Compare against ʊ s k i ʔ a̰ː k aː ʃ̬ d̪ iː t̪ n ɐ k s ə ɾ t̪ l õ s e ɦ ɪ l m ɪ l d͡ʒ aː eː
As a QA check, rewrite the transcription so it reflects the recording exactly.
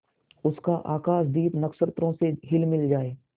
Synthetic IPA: ʊ s k a ʔ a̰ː k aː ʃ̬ d̪ iː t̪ n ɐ k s ə ɾ t̪ ɾ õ s e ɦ ɪ l m ɪ l d͡ʒ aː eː